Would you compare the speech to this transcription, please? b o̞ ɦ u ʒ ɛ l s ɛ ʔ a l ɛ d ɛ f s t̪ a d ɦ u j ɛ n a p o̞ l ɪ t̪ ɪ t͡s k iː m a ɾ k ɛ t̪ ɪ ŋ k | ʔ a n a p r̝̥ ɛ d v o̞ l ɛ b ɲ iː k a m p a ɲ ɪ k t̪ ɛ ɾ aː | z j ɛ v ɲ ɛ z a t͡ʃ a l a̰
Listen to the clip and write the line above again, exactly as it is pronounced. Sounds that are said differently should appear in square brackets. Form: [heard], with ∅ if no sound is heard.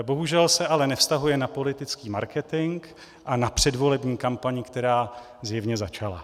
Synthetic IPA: b o̞ ɦ u ʒ ɛ l s ɛ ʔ a l ɛ [n] ɛ f s t̪ a [∅] ɦ u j ɛ n a p o̞ l ɪ t̪ ɪ t͡s k iː m a ɾ k ɛ t̪ ɪ ŋ k | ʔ a n a p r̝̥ ɛ d v o̞ l ɛ b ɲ iː k a m p a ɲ ɪ k t̪ ɛ ɾ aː | z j ɛ v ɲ ɛ z a t͡ʃ a l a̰